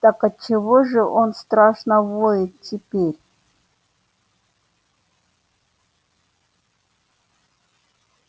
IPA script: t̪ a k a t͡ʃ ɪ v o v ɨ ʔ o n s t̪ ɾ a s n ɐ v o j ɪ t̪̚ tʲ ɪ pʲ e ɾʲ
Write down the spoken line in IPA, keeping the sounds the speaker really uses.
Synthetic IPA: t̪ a k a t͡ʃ ɪ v o ʐ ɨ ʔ o n s t̪ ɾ a ʂ n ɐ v o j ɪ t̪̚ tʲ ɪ pʲ e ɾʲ